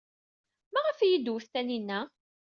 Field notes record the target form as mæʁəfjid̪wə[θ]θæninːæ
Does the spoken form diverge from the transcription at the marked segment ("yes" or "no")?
no